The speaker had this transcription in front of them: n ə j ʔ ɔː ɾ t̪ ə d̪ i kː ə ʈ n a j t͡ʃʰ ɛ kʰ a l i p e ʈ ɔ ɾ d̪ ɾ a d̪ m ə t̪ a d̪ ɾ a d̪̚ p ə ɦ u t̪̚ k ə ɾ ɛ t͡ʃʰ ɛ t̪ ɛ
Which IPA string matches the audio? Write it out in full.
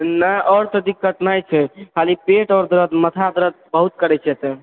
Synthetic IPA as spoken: n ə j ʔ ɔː ɾ t̪ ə d̪ i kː ə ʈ n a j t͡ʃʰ ɛ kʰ a l i p e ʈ ɔ ɾ d̪ ɾ ə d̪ m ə t̪ʰ a d̪ ɾ ə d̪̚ b ə ɦ u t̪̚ k ə ɾ ɛ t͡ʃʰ ɛ t̪ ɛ